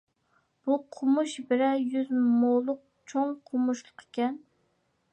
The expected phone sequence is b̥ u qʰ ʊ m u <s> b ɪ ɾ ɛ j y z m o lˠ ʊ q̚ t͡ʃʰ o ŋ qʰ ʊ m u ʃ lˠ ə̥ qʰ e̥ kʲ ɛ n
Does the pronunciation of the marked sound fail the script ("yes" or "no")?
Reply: yes